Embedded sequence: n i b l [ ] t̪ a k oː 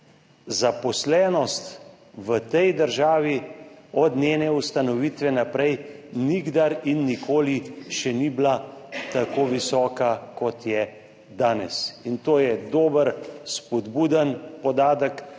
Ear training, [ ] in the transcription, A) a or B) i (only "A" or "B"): A